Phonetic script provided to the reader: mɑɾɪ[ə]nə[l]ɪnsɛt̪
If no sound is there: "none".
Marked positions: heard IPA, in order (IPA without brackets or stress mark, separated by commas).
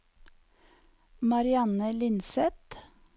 ɑ, l